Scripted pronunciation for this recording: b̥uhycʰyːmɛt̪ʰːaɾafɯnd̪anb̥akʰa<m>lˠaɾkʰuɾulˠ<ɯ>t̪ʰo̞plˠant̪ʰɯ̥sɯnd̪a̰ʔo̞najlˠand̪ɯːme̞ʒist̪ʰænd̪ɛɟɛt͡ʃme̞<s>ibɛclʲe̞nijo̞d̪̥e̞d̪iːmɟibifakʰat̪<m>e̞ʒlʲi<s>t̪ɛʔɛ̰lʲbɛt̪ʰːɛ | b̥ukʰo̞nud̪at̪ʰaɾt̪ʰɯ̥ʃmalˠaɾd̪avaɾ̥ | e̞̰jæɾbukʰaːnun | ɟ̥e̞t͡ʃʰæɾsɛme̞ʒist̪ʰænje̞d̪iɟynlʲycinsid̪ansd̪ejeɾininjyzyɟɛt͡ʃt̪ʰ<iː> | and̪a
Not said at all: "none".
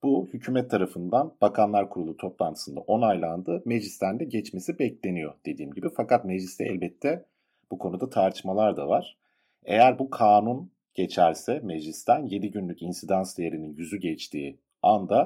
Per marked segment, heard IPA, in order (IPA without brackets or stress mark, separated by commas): n, u, s, m, s, iː